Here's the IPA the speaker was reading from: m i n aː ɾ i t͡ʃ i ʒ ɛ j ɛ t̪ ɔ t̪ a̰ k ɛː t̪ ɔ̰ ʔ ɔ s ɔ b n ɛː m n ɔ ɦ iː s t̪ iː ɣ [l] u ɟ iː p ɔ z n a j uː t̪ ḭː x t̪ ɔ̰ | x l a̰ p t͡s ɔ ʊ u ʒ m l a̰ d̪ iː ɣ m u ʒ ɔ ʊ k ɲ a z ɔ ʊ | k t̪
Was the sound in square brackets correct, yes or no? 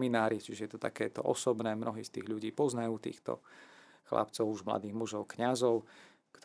no